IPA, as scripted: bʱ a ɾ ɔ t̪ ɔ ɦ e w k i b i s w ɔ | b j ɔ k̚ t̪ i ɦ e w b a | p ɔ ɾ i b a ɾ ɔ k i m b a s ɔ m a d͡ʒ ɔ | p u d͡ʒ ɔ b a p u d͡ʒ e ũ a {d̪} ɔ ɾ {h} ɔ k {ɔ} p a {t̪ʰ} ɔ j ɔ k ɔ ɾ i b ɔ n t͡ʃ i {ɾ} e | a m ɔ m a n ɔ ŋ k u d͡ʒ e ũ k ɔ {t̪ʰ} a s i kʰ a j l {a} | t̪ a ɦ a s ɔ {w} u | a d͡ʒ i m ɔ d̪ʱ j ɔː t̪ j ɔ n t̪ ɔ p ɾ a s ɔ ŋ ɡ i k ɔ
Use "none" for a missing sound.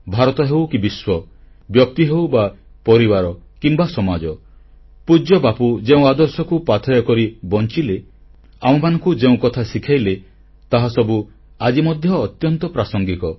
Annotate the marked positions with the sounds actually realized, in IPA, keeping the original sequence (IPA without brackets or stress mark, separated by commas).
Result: d̪, s, u, t̪ʰ, l, t̪ʰ, e, b